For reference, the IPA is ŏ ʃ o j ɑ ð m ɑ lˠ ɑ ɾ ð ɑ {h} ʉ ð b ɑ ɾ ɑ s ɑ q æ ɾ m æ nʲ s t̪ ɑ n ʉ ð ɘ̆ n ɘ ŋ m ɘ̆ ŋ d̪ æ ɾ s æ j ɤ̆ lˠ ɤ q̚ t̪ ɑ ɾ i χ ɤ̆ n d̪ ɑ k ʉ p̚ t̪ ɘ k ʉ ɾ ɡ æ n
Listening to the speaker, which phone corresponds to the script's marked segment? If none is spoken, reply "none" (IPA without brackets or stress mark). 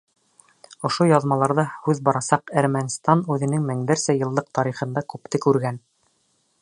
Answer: h